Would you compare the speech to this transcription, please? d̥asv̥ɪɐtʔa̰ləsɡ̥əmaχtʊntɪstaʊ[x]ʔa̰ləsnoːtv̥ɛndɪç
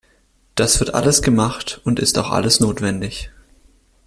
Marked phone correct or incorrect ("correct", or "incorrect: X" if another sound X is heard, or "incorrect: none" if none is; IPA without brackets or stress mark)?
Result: correct